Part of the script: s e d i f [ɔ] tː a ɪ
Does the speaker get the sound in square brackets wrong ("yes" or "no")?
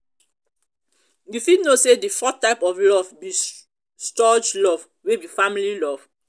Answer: no